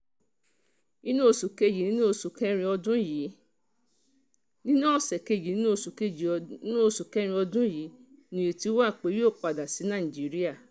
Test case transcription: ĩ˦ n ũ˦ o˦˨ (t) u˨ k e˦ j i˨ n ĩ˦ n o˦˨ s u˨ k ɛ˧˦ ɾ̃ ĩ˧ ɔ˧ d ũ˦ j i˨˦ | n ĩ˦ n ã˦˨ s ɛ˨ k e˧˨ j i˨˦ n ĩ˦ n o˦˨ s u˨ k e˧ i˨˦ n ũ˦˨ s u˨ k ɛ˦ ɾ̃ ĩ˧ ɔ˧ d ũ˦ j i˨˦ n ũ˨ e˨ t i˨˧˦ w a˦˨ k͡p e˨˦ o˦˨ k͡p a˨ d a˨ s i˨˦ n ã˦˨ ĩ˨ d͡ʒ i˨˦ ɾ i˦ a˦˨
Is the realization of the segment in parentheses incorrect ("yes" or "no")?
yes